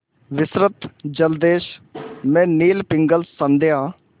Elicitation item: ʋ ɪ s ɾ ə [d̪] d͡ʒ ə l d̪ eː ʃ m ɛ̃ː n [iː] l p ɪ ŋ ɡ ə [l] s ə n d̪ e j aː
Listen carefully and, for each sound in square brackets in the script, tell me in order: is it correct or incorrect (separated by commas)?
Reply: incorrect, correct, correct